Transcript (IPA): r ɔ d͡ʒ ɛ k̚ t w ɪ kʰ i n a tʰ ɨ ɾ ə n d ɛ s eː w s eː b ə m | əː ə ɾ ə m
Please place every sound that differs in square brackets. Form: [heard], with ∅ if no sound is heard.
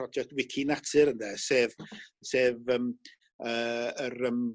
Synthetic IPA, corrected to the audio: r ɔ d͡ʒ ɛ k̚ t w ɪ kʰ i n a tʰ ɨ ɾ ə n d ɛ s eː [v] s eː [v] ə m | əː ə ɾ ə m